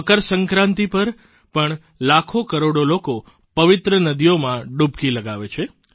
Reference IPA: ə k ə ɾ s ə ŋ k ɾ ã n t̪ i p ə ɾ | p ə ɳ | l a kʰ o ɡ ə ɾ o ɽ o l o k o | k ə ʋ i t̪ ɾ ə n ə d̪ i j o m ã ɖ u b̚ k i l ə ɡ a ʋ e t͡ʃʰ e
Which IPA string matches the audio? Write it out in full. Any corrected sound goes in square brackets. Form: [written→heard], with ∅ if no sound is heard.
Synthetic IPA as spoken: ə k ə ɾ s ə ŋ k ɾ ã n t̪ i p ə ɾ | p ə ɳ | l a kʰ o [ɡ→k] ə ɾ o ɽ o l o k o | [k→p] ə ʋ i t̪ ɾ ə n ə d̪ i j o m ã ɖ u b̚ k i l ə ɡ a ʋ e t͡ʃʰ e